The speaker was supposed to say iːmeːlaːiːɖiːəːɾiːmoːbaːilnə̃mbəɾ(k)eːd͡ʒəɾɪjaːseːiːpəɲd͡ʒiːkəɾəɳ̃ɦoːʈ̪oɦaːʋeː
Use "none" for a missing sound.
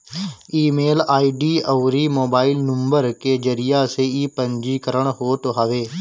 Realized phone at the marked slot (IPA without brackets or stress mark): k